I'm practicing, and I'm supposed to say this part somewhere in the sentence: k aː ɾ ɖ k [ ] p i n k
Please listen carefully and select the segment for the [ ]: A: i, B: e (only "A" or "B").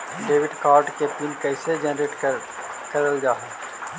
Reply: B